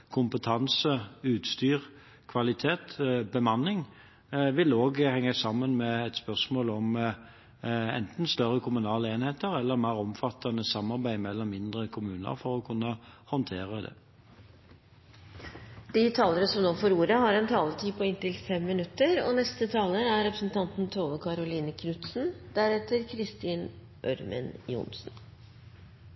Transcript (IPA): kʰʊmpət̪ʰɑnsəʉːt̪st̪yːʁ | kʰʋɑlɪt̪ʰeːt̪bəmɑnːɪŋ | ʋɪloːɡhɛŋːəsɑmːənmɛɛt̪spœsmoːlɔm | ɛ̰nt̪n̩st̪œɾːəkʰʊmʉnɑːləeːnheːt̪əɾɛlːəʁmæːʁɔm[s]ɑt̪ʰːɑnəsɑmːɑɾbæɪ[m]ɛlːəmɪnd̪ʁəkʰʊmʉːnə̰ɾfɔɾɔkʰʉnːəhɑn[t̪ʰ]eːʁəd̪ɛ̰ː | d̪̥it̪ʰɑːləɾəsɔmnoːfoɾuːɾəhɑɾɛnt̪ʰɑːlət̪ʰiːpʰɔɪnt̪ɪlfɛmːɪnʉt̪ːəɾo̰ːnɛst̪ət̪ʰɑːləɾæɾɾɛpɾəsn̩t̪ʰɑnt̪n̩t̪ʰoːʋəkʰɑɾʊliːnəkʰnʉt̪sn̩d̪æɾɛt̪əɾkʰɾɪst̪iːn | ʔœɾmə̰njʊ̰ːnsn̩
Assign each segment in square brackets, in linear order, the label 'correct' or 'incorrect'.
incorrect: f, correct, correct

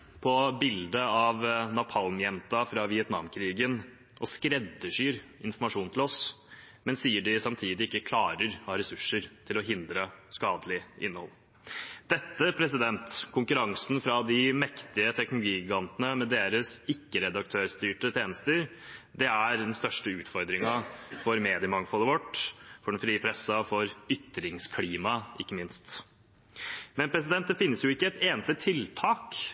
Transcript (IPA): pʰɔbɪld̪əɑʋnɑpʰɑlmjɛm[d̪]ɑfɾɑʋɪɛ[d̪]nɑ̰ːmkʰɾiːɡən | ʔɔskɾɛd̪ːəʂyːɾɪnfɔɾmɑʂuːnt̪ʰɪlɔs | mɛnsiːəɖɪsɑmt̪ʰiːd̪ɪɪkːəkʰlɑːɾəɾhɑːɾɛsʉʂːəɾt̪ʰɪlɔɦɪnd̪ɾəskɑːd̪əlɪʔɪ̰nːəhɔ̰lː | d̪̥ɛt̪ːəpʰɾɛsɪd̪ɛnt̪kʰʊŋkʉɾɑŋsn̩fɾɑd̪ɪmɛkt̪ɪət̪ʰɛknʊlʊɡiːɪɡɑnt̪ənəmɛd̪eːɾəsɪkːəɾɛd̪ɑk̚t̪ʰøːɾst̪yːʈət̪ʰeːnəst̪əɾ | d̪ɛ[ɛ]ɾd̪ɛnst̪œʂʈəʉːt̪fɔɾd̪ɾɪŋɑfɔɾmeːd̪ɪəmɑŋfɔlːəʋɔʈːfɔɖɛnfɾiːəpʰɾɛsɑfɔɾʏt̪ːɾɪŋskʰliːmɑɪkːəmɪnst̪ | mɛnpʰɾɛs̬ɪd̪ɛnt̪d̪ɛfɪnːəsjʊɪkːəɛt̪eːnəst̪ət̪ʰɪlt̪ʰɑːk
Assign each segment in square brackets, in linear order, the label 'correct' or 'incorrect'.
incorrect: t̪, incorrect: t̪, incorrect: æ

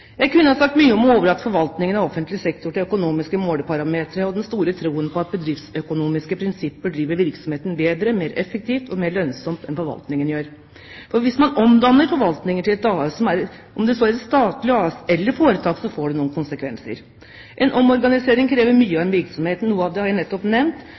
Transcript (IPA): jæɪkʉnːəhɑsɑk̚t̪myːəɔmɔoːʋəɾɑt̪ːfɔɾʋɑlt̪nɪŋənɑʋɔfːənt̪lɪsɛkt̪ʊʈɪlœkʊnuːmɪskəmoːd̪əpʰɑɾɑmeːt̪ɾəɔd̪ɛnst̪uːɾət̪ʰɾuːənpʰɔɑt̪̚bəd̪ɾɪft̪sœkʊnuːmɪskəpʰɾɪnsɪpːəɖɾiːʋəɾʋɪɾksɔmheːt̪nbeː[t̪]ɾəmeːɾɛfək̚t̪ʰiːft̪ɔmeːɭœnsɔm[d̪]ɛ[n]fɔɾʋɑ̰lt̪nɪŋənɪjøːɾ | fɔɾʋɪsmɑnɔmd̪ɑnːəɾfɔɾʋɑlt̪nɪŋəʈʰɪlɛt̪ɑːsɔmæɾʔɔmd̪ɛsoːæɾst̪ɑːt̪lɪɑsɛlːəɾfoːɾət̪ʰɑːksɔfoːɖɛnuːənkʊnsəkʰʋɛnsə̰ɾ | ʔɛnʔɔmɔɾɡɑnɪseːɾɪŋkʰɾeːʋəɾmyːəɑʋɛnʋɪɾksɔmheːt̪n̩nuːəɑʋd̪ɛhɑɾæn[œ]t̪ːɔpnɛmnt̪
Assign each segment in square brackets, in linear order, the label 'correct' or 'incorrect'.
incorrect: d̪, incorrect: t̪, correct, incorrect: ɛ

